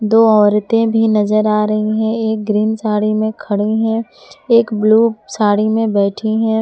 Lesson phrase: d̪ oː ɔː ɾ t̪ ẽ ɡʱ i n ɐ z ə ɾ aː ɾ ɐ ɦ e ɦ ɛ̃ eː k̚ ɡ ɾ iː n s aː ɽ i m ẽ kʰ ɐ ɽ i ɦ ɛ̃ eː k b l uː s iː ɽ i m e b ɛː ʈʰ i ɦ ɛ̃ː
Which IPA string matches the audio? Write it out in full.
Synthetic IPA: d̪ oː ɔː ɾ t̪ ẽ bʱ i n ɐ z ə ɾ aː ɾ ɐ ɦ i ɦ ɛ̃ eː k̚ ɡ ɾ iː n s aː ɽ i m ẽ kʰ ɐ ɽ i ɦ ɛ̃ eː k b l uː s aː ɽ i m ẽ b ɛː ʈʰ i ɦ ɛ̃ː